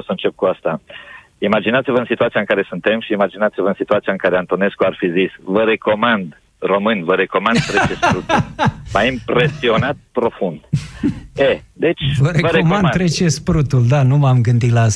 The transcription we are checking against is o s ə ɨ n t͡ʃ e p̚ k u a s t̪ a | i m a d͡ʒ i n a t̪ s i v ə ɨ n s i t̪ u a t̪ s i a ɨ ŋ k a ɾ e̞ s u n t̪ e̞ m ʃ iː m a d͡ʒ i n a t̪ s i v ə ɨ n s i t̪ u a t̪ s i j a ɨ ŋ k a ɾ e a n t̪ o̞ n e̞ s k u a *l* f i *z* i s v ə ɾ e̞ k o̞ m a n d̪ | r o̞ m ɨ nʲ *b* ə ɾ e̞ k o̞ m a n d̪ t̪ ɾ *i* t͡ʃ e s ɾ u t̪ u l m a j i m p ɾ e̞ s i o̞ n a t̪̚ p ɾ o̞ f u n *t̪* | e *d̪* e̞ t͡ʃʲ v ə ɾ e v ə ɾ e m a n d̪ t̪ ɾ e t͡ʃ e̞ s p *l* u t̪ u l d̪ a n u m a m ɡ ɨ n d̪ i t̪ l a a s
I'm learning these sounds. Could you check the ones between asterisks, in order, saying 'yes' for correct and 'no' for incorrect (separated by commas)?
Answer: no, yes, no, no, no, yes, no